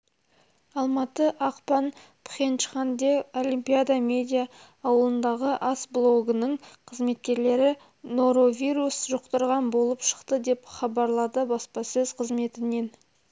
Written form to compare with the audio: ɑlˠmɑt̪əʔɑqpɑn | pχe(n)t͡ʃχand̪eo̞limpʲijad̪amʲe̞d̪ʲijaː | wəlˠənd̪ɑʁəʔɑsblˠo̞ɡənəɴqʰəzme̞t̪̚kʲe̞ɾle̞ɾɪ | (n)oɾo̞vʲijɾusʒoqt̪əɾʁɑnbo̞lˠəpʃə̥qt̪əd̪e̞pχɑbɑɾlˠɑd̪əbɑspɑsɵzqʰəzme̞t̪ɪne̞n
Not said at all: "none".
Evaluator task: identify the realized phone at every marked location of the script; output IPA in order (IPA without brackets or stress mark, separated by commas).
n, n